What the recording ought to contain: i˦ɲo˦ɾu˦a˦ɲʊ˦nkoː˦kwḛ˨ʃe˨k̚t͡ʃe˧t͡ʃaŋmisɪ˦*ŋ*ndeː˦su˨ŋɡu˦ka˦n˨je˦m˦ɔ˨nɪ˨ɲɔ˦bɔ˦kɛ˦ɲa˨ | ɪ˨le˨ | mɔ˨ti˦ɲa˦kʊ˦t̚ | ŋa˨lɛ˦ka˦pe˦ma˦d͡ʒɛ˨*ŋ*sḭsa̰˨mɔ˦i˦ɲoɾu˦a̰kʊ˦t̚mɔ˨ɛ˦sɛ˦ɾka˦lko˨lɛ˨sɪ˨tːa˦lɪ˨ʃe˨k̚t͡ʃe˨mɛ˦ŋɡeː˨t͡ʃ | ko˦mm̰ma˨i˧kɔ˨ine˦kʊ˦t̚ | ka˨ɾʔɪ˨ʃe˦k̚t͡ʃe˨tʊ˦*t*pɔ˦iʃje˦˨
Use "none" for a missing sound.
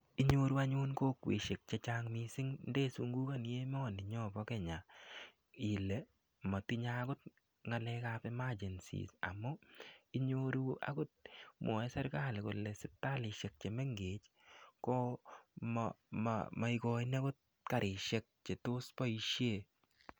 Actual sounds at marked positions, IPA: ŋ, n, s

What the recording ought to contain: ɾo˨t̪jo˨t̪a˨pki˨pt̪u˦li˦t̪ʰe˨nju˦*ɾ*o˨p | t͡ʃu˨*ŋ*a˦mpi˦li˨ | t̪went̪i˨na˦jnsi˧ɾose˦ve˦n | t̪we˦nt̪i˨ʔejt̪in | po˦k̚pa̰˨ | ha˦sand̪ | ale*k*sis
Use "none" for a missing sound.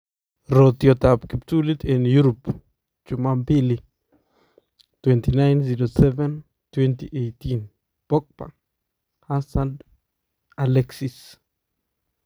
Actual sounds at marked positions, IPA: ɾ, m, k

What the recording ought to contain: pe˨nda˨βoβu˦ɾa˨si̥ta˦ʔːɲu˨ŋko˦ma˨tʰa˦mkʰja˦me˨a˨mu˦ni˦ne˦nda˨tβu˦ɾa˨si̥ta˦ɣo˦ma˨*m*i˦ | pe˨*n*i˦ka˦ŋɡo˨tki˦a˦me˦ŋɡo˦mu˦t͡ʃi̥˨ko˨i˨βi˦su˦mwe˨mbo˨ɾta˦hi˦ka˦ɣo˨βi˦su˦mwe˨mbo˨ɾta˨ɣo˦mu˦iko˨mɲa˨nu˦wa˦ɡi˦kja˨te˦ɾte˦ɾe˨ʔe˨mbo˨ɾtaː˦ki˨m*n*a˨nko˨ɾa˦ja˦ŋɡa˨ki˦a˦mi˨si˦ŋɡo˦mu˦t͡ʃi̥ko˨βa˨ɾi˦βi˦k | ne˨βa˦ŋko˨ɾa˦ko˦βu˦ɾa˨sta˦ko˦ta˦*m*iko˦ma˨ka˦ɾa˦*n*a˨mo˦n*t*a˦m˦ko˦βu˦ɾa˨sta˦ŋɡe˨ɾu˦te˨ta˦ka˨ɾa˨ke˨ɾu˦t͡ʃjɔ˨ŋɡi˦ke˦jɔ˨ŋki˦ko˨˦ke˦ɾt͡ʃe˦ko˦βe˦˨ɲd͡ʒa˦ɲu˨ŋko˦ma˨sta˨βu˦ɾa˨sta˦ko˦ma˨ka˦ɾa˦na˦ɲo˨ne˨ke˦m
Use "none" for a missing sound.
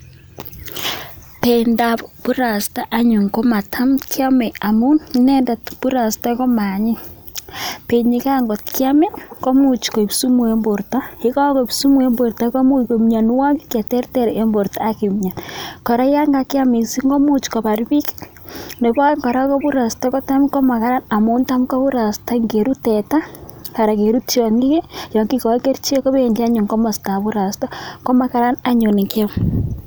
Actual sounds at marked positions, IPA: ɲ, ɲ, ɲ, m, n, t

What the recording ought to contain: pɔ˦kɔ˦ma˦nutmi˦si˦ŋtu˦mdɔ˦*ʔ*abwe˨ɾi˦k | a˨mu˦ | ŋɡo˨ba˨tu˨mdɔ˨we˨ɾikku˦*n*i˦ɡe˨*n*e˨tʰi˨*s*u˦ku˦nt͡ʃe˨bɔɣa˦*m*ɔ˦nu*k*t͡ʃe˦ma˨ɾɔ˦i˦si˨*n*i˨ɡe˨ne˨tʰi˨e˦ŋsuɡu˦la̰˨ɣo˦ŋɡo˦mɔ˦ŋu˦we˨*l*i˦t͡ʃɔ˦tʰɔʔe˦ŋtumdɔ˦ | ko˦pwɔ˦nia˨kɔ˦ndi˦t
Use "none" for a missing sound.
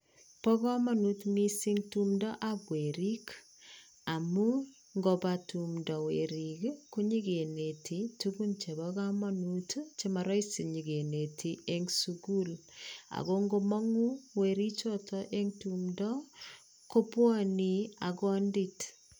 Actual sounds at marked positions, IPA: ʔ, ɲ, n, t, m, t, ɲ, ɾ

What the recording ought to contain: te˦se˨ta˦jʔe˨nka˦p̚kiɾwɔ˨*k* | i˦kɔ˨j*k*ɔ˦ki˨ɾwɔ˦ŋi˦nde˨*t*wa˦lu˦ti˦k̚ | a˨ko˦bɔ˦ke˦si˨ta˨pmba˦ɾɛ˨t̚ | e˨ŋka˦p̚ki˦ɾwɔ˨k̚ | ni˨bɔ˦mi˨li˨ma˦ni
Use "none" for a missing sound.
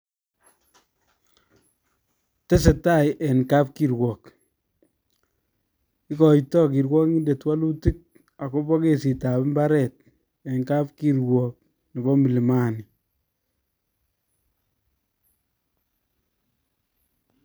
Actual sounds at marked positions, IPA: k, t, t

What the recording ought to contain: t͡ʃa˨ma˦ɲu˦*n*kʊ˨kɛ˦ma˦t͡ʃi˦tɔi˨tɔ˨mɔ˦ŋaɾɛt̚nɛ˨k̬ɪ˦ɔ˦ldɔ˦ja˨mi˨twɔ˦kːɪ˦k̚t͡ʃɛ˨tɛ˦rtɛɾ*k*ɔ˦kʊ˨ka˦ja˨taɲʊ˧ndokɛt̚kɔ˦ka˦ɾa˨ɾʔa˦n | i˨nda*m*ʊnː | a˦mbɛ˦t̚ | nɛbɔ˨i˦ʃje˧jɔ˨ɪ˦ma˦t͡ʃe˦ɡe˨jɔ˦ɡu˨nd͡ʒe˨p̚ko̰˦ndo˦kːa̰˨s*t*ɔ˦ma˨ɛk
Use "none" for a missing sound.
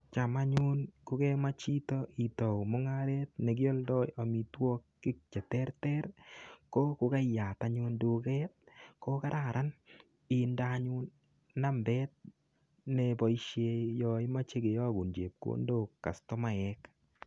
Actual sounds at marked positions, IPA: n, k, ɲ, t

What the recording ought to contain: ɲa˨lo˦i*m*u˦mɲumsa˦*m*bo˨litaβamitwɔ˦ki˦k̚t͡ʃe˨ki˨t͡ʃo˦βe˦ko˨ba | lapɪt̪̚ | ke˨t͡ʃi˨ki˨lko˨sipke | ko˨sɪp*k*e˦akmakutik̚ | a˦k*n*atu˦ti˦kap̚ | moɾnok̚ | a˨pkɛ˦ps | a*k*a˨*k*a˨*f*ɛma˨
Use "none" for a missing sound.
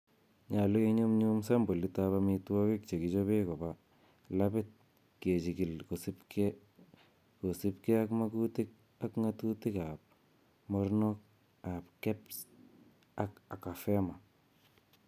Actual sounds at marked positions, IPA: ɲ, m, k, ŋ, k, k, f

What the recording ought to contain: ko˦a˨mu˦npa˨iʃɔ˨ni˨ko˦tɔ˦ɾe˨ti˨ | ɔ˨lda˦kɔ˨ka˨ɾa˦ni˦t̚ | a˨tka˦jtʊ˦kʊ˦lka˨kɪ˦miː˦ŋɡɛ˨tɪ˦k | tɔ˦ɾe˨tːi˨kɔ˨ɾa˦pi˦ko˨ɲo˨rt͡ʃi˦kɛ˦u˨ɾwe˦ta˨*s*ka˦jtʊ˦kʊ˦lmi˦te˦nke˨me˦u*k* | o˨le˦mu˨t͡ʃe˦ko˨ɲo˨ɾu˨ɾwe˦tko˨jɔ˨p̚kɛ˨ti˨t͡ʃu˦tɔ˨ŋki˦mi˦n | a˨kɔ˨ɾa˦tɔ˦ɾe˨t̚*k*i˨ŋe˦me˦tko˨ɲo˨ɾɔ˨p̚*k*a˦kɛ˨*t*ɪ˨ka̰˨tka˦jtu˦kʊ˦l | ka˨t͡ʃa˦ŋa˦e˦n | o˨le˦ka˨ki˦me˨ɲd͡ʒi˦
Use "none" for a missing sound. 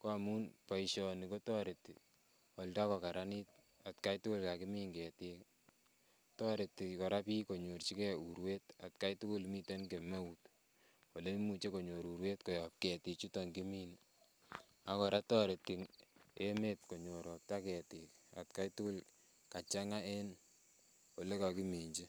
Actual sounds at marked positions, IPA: t, t, k, t, t

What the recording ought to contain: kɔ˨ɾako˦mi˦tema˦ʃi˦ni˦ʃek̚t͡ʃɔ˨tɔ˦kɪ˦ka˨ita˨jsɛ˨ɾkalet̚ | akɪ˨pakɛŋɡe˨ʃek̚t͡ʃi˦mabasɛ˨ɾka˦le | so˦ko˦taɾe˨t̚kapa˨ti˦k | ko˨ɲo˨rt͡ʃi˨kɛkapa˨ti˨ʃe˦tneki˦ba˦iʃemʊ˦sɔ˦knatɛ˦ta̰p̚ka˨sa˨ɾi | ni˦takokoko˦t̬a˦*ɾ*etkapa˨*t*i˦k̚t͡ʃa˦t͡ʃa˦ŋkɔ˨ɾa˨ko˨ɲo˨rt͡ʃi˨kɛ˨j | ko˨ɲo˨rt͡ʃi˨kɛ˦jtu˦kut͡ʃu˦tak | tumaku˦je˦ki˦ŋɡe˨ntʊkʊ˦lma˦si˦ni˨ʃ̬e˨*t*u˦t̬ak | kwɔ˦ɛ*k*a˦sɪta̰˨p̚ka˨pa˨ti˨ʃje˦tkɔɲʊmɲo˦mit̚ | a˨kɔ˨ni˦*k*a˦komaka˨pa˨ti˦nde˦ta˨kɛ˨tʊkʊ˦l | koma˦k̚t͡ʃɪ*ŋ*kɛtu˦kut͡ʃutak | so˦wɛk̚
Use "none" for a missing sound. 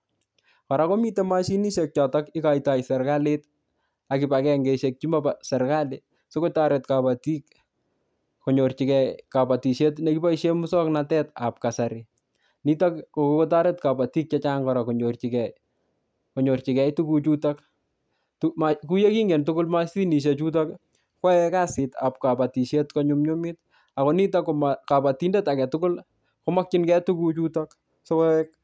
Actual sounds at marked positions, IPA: ɾ, t, t͡ʃ, k, t, n

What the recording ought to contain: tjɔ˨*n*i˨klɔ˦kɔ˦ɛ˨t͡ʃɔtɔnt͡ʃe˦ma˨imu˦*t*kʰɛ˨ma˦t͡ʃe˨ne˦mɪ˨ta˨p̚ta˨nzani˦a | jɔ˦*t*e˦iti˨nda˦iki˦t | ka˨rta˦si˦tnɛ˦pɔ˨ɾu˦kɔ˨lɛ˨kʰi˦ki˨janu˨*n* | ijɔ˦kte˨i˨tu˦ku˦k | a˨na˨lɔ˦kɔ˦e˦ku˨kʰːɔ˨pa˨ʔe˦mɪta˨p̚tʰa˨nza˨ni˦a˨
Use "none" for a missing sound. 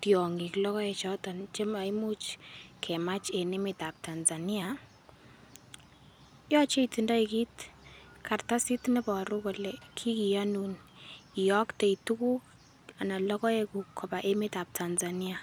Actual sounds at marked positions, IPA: ŋ, t͡ʃ, t͡ʃ, n

